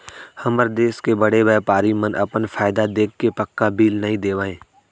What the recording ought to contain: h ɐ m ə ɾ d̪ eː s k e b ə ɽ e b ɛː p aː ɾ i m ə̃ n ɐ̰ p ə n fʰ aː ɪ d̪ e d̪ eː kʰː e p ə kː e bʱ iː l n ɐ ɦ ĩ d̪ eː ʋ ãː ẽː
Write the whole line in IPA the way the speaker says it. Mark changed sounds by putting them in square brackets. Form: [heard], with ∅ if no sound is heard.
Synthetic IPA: h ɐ m ə ɾ d̪ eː s k e b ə ɽ e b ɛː p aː ɾ i m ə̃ n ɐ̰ p ə n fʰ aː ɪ d̪ [a] d̪ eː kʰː e p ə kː [a] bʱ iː l n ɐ ɦ ĩ d̪ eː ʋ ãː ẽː